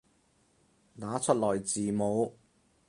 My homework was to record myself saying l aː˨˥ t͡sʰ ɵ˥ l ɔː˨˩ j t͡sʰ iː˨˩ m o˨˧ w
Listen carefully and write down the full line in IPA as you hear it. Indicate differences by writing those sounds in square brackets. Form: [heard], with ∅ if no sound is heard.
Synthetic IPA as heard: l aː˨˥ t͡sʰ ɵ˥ l ɔː˨˩ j [t͡s] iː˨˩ m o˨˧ w

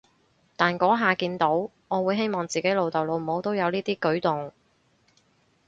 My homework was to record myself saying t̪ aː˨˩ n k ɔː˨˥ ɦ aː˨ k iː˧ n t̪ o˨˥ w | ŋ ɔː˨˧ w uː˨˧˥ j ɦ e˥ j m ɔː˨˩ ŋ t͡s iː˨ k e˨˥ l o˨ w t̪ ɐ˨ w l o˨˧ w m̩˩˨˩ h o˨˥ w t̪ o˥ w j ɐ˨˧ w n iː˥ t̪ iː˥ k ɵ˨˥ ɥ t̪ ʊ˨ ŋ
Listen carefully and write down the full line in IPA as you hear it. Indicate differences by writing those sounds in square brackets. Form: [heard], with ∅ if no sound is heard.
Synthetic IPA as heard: t̪ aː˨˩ n k ɔː˨˥ ɦ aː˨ k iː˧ n t̪ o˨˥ w | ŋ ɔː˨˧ w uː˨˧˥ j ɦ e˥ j m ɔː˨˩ ŋ t͡s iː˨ k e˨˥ l o˨ w t̪ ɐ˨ w l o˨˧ w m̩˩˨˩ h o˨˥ w t̪ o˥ w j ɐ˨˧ w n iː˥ t̪ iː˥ k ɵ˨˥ ɥ t̪ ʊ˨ ŋ

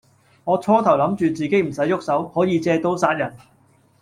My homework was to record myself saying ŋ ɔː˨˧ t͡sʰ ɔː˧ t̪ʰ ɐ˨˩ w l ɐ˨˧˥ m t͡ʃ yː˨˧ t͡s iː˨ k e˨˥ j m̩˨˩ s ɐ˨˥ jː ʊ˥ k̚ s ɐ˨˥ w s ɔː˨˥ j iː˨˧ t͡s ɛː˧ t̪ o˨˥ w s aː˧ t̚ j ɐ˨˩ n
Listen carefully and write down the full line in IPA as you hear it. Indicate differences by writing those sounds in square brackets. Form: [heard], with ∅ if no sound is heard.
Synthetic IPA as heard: ŋ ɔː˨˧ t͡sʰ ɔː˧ t̪ʰ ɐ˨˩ w l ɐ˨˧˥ m t͡ʃ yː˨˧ t͡s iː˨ k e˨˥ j m̩˨˩ s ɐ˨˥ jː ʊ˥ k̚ s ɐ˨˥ w [h] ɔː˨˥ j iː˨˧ t͡s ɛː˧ t̪ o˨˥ w s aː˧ t̚ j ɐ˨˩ n

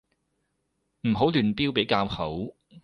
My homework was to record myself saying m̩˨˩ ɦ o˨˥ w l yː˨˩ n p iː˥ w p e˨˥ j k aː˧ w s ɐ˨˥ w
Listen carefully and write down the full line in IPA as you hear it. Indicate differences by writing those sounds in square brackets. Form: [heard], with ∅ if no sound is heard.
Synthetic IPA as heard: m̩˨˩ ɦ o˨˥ w l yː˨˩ n p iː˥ w p e˨˥ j k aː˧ w [h] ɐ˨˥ w

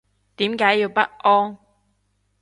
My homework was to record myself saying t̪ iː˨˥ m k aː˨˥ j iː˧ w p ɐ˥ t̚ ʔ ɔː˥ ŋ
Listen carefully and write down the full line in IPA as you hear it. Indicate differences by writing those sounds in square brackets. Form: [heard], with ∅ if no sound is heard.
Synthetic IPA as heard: t̪ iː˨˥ m k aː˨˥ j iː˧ w p ɐ˥ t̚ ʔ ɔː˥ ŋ

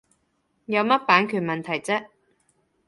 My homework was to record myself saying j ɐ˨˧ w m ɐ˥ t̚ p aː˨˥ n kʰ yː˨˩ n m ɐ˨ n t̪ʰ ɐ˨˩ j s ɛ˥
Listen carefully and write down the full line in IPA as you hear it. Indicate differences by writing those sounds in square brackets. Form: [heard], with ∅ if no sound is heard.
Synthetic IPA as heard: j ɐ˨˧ w m ɐ˥ t̚ p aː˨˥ n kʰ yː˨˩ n m ɐ˨ n t̪ʰ ɐ˨˩ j [t͡s] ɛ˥

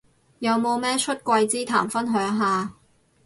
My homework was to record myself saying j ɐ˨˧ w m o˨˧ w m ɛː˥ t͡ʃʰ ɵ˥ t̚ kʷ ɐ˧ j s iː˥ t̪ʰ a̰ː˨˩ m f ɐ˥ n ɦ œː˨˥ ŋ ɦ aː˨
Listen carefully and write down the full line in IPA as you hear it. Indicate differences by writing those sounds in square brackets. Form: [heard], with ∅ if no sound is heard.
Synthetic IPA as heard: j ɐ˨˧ w m o˨˧ w m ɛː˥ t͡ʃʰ ɵ˥ t̚ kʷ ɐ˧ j [t͡s] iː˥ t̪ʰ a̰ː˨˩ m f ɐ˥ n ɦ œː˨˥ ŋ ɦ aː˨

